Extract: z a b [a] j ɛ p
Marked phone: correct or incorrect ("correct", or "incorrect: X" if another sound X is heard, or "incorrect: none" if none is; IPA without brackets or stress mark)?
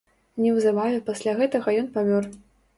correct